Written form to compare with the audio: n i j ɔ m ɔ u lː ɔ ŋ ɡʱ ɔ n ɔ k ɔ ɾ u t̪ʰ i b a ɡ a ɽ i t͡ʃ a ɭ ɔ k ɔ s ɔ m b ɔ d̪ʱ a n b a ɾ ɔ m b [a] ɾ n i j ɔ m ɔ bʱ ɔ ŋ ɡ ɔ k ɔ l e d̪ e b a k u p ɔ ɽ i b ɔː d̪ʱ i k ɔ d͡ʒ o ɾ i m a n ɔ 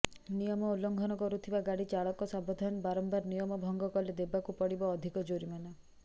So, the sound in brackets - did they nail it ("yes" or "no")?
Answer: yes